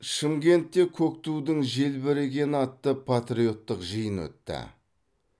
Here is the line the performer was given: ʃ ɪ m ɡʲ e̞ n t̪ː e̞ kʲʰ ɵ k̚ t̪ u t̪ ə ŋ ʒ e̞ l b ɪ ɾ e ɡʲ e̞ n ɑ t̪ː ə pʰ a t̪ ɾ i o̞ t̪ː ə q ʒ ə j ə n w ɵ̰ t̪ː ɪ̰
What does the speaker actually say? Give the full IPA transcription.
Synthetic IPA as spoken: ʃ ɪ m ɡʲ e̞ n t̪ː e̞ kʲʰ ɵ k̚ t̪ u d̪ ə ŋ ʒ e̞ l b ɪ ɾ e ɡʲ e̞ n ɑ t̪ː ə pʰ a t̪ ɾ i o̞ t̪ː ə q ʒ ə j ə n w ɵ̰ t̪ː ɪ̰

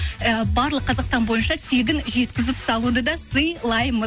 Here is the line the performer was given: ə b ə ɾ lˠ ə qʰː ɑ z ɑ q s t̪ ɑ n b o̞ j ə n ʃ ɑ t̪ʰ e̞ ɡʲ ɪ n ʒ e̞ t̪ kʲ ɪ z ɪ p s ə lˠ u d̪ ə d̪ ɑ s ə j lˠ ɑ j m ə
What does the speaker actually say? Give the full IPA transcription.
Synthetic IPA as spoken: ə b ɑ ɾ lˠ ə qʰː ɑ z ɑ q s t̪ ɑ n b o̞ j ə n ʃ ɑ t̪ʰ e̞ ɡʲ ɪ n ʒ e̞ t̪ kʲ ɪ z ɪ p s ɑ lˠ u d̪ ə d̪ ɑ s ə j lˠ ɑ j m ə

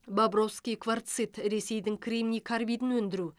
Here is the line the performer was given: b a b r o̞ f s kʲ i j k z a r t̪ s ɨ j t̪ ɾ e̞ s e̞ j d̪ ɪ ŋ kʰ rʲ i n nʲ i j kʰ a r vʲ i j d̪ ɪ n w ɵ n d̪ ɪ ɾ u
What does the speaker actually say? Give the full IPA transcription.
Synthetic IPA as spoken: b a b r o̞ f s kʲ i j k v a r t̪ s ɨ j t̪ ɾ e̞ s e̞ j d̪ ɪ ŋ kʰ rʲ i m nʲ i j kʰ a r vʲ i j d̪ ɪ n w ɵ n d̪ ɪ ɾ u

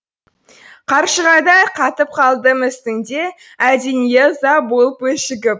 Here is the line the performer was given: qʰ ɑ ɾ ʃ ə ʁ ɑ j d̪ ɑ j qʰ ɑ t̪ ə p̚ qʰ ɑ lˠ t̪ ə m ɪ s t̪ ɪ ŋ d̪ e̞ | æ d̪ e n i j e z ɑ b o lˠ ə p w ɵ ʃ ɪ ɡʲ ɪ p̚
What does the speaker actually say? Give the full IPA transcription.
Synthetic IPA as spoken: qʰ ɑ ɾ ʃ ə ʁ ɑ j d̪ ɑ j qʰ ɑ t̪ ə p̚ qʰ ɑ lˠ d̪ ə m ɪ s t̪ ɪ ŋ d̪ e̞ | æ d̪ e n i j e z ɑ b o lˠ ə p w ɵ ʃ ɪ ɡʲ ɪ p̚

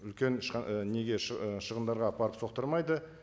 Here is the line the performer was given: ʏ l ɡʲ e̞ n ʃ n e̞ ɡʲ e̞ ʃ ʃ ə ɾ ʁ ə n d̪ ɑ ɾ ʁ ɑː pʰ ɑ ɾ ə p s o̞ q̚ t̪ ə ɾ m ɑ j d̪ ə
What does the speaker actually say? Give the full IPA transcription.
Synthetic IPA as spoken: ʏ l kʲ e̞ n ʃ n e̞ ɡʲ e̞ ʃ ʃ ə ʁ ə n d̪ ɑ ɾ ʁ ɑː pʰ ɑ ɾ ə p s o̞ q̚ t̪ ə ɾ m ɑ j d̪ ə

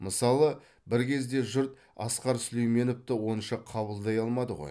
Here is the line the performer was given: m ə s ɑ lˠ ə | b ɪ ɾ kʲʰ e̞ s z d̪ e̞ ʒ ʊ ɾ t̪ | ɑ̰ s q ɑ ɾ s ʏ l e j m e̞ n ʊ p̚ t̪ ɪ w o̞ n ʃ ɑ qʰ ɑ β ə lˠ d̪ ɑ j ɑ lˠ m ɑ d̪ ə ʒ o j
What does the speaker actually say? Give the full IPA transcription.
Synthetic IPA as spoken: m ə s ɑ lˠ ə | b ɪ ɾ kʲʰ e̞ z d̪ e̞ ʒ ʊ ɾ t̪ | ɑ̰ s q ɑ ɾ s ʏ l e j m e̞ n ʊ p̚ t̪ ɪ w o̞ n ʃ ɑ qʰ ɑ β ə lˠ d̪ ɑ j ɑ lˠ m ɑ d̪ ə ʁ o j

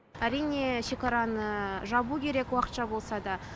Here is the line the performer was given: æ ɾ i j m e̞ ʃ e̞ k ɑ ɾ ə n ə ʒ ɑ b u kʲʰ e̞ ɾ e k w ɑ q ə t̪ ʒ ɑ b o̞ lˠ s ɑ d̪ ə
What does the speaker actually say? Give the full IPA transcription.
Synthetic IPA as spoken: æ ɾ i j n e̞ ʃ e̞ k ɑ ɾ ɑ n ə ʒ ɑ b u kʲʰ e̞ ɾ e k w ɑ q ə t̪ ʃ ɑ b o̞ lˠ s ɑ d̪ ɑ

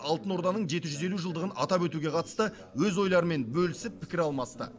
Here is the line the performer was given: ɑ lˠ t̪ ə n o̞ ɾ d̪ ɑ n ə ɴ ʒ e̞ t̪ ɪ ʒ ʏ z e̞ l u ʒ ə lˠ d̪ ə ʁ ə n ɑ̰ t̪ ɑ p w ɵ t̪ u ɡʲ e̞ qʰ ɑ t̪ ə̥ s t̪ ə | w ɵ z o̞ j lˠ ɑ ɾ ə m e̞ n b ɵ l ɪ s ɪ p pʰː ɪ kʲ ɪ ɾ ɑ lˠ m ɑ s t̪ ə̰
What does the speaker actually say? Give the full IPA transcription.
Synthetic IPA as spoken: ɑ lˠ t̪ ə n o̞ ɾ d̪ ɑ n ə ɴ ʒ e̞ t̪ ɪ ʒ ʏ z e̞ l u ʒ ə lˠ d̪ ə ʁ ə n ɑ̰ t̪ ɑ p w ɵ t̪ u ɡʲ e̞ qʰ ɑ t̪ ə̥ s t̪ ə | w ɵ z o̞ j lˠ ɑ ɾ ə m e̞ n b ɵ l ɪ s ɪ p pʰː ɪ kʲ ɪ ɾ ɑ lˠ m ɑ s t̪ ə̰

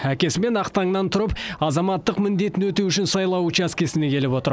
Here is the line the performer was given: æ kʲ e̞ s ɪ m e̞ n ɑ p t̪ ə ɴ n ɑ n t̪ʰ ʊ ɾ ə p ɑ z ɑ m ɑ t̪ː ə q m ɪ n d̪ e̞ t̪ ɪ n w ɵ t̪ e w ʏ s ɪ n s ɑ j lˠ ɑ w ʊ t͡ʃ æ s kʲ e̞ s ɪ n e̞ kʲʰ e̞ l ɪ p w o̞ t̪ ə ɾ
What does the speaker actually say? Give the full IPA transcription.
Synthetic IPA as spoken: æ kʲ e̞ s ɪ m e̞ n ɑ q t̪ ɑ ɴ n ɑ n t̪ʰ ʊ ɾ ə p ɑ z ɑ m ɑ t̪ː ə q m ɪ n d̪ e̞ t̪ ɪ n w ɵ t̪ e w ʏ ʃ ɪ n s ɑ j lˠ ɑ w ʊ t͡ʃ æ s kʲ e̞ s ɪ n e̞ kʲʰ e̞ l ɪ p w o̞ t̪ ə ɾ

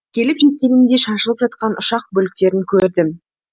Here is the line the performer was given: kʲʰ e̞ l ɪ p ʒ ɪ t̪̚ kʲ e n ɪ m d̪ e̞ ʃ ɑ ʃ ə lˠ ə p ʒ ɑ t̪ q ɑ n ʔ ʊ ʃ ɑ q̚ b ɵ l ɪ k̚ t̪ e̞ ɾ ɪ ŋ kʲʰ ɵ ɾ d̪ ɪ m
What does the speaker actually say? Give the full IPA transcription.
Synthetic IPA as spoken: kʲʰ e̞ l ɪ p ʒ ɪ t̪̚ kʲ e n ɪ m d̪ e̞ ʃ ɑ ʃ ə lˠ ə p ʒ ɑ t̪ q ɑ n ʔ ʊ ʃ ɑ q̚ b ɵ l ɪ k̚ t̪ e̞ ɾ ɪ ŋ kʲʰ ɵ ɾ d̪ ɪ m

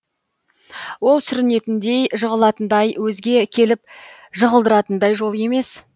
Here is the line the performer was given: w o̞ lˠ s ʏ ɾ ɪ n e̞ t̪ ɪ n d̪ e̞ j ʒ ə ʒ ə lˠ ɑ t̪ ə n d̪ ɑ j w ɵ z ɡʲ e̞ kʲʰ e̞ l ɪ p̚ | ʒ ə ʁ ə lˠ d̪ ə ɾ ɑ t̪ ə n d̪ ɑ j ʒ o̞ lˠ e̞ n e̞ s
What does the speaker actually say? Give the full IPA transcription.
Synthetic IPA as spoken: w o̞ lˠ s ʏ ɾ ɪ n e̞ t̪ ɪ n d̪ e̞ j ʒ ə ʁ ə lˠ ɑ t̪ ə n d̪ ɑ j w ɵ z ɡʲ e̞ kʲʰ e̞ l ɪ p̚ | ʒ ə ʁ ə lˠ d̪ ə ɾ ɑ t̪ ə n d̪ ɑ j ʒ o̞ lˠ e̞ m e̞ s

